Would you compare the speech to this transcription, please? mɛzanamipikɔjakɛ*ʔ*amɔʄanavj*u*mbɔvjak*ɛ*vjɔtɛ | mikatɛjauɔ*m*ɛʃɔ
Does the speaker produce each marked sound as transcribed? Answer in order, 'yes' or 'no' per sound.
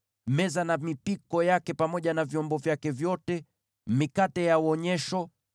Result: no, no, yes, no

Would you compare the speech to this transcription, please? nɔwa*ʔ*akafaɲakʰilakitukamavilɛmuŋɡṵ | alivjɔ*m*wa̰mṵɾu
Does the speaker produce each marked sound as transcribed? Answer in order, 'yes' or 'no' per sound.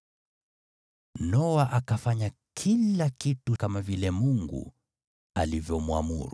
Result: yes, yes

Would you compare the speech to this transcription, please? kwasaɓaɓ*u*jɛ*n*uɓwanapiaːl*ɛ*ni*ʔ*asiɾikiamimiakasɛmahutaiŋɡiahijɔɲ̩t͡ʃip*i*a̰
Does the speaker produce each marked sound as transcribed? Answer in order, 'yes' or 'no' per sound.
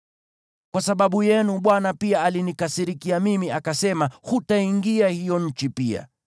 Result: yes, yes, no, no, yes

